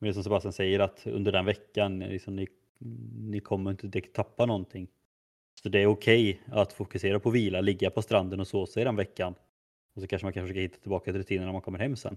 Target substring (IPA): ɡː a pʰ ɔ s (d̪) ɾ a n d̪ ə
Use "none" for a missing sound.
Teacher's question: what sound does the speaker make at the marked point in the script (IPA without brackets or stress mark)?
t̪